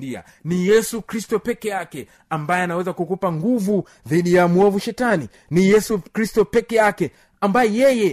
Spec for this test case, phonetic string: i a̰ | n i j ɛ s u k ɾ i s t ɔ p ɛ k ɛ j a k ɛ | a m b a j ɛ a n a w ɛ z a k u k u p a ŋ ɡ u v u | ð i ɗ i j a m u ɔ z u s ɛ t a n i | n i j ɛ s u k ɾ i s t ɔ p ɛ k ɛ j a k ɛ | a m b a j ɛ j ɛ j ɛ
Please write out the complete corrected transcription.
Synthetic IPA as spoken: i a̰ | n i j ɛ s u k ɾ i s t ɔ p ɛ k ɛ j a k ɛ | a m b a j ɛ a n a w ɛ z a k u k u p a ŋ ɡ u v u | ð i ɗ i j a m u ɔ v u ʃ ɛ t a n i | n i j ɛ s u k ɾ i s t ɔ p ɛ k ɛ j a k ɛ | a m b a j ɛ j ɛ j ɛ